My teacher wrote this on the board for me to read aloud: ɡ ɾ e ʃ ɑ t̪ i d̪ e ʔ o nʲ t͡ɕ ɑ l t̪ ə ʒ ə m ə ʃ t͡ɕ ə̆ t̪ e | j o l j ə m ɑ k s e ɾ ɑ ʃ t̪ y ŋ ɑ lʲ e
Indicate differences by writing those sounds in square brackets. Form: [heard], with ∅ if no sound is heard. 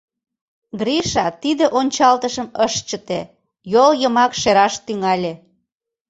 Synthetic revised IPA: ɡ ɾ [i] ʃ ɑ t̪ i d̪ e ʔ o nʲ t͡ɕ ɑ l t̪ ə [ʃ] ə m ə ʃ t͡ɕ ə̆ t̪ e | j o l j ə m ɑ k [ʃ] e ɾ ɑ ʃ t̪ y ŋ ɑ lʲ e